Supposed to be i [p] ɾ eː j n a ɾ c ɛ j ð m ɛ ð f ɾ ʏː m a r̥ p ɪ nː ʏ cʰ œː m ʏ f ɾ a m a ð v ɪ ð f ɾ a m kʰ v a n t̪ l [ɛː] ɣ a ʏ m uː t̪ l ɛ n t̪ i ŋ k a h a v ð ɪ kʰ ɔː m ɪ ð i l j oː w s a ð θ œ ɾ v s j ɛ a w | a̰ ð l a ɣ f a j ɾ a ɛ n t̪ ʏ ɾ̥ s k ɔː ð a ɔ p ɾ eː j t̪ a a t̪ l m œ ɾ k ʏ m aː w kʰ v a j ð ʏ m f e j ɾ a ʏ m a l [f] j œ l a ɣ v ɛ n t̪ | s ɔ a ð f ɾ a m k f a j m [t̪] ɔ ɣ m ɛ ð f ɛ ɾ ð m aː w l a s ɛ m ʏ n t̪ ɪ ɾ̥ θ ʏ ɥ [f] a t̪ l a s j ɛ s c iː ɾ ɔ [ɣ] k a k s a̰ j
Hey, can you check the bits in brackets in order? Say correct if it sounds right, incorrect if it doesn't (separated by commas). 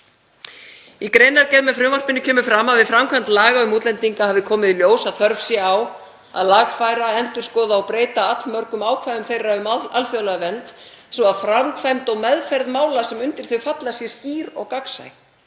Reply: incorrect, incorrect, correct, correct, correct, correct